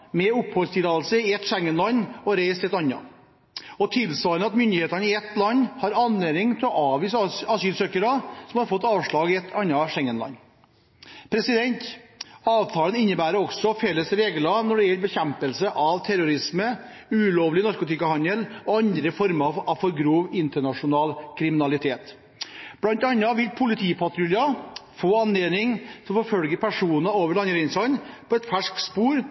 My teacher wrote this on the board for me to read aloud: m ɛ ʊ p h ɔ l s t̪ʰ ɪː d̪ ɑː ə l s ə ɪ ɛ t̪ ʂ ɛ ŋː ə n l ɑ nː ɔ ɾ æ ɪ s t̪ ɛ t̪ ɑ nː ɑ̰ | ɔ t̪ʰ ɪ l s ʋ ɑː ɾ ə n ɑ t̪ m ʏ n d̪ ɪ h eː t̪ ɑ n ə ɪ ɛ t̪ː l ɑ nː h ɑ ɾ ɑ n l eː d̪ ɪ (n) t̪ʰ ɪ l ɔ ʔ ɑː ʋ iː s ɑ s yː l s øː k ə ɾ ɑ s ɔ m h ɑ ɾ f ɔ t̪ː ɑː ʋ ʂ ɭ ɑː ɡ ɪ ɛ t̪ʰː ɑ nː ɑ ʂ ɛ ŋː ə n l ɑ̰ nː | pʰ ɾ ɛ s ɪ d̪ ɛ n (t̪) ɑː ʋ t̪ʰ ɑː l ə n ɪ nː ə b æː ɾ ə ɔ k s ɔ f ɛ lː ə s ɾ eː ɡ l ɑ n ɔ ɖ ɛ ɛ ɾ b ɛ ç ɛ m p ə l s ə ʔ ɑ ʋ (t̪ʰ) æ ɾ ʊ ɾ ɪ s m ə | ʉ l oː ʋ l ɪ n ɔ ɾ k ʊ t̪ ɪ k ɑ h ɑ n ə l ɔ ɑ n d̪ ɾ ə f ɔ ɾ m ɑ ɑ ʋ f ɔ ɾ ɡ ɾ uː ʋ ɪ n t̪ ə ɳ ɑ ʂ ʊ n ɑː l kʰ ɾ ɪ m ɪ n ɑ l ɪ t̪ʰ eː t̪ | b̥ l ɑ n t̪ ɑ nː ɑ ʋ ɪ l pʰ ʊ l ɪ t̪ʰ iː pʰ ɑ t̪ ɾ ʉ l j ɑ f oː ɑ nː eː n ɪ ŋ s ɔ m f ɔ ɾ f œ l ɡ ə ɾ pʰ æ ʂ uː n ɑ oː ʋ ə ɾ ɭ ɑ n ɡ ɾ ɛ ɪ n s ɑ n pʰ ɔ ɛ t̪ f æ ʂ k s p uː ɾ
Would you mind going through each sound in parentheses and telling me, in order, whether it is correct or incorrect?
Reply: incorrect: ŋ, correct, correct

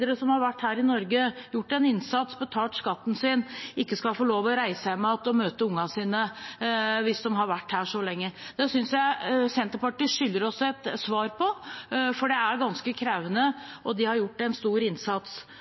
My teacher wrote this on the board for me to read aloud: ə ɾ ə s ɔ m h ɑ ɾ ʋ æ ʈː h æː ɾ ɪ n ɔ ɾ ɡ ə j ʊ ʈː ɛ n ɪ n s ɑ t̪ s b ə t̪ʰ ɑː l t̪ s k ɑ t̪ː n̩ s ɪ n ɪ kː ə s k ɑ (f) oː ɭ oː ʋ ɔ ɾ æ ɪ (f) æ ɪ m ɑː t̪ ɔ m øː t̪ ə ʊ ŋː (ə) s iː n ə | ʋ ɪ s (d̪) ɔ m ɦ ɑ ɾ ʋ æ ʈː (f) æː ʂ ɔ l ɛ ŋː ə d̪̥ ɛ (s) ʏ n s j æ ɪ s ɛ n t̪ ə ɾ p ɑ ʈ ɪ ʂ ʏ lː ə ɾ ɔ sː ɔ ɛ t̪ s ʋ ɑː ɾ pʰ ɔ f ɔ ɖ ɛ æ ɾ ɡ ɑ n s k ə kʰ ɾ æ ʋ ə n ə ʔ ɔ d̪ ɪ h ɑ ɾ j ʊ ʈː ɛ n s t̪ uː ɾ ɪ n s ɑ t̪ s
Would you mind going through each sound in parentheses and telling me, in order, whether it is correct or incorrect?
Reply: correct, incorrect: s, incorrect: ɑ, correct, incorrect: h, correct

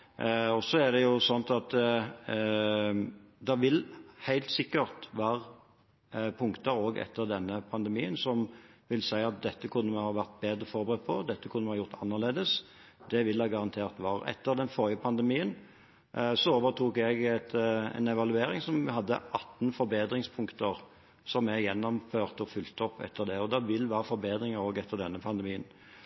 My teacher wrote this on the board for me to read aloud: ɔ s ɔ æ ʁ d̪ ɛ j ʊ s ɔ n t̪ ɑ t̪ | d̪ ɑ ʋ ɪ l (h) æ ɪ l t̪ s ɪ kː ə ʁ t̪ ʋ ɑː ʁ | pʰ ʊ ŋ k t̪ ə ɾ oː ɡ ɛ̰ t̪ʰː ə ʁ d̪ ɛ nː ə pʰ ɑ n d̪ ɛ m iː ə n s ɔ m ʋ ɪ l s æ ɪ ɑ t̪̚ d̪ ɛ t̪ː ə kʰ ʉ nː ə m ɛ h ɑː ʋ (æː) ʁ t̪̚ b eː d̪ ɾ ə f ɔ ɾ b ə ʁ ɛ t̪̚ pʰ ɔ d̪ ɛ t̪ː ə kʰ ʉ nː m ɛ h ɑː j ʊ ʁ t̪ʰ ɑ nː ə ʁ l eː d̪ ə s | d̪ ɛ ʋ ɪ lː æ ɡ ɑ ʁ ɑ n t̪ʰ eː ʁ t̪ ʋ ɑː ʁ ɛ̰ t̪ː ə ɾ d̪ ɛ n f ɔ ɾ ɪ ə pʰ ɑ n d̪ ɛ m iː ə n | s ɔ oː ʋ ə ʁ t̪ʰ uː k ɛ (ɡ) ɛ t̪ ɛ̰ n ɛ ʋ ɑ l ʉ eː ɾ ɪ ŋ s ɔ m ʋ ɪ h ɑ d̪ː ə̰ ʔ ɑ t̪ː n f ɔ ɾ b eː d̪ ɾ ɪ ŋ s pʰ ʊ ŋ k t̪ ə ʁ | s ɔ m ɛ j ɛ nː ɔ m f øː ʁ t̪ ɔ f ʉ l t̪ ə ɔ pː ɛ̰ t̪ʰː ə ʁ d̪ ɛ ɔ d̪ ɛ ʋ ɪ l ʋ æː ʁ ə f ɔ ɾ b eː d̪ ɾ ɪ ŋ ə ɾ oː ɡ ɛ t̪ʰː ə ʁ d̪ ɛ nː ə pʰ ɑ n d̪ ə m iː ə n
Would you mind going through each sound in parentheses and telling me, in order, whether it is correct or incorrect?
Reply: correct, incorrect: æ, correct

